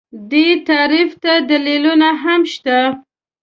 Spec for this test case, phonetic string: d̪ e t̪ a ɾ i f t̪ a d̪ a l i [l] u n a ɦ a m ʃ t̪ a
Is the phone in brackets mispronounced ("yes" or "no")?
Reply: no